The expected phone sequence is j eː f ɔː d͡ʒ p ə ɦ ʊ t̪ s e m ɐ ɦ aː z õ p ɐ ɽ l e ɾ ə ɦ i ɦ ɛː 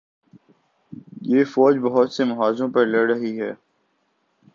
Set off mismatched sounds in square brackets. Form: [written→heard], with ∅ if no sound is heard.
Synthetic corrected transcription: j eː f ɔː d͡ʒ [p→b] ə ɦ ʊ t̪ s e m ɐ ɦ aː z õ p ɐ [ɽ→ɾ] l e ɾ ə ɦ i ɦ ɛː